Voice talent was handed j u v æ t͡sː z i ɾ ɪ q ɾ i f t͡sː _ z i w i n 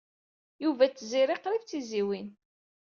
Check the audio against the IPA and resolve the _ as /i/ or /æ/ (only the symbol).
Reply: i